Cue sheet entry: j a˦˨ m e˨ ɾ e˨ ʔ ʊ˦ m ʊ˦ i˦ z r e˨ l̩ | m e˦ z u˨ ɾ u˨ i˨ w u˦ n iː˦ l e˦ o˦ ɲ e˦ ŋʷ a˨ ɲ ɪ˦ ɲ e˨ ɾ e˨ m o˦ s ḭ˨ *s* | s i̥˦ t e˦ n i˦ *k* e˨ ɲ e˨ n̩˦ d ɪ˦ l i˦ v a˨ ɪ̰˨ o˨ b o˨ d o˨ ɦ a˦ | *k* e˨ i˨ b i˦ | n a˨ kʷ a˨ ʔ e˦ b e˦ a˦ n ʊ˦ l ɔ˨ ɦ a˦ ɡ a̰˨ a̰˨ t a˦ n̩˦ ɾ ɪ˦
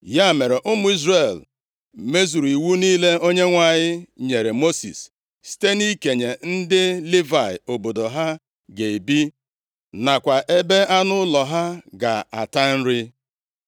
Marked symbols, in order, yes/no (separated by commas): yes, yes, no